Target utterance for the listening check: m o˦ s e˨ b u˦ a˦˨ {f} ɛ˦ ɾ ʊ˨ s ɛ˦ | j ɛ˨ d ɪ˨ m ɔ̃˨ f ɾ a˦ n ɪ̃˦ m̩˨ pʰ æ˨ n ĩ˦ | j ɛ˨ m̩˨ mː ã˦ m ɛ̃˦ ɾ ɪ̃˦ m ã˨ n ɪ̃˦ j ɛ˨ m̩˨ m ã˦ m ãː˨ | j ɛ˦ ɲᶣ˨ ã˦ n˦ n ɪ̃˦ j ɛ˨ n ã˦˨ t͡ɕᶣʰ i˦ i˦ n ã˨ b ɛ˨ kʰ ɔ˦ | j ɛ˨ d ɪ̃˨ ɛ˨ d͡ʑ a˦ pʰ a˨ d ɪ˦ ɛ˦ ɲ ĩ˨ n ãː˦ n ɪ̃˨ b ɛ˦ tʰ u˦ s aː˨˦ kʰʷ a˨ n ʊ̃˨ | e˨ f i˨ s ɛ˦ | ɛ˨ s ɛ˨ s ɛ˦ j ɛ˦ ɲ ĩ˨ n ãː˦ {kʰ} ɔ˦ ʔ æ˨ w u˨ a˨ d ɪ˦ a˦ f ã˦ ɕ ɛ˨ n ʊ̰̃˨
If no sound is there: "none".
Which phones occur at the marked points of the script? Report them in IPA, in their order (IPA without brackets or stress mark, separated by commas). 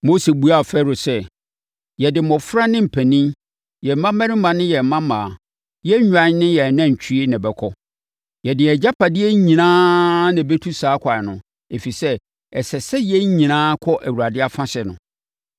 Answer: f, kʰ